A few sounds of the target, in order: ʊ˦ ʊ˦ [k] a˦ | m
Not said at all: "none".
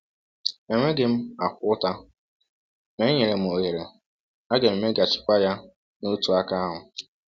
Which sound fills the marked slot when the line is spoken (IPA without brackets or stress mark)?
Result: t